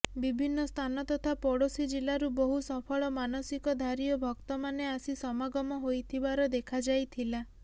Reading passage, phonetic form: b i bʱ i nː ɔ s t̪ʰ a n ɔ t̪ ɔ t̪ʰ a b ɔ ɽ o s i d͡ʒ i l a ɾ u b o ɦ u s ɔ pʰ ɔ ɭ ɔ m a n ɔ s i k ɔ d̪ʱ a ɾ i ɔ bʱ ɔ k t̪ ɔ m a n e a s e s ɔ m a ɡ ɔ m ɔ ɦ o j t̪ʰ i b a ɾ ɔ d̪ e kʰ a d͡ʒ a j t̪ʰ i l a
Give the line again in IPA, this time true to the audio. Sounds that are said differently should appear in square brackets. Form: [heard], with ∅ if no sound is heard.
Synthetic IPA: b i bʱ i nː ɔ s t̪ʰ a n ɔ t̪ ɔ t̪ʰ a [p] ɔ ɽ o s i d͡ʒ i l a ɾ u b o ɦ u s ɔ pʰ ɔ ɭ ɔ m a n ɔ s i k ɔ d̪ʱ a ɾ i ɔ bʱ ɔ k t̪ ɔ m a n e a s [i] s ɔ m a ɡ ɔ m ɔ ɦ o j t̪ʰ i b a ɾ ɔ d̪ e kʰ a d͡ʒ a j t̪ʰ i l a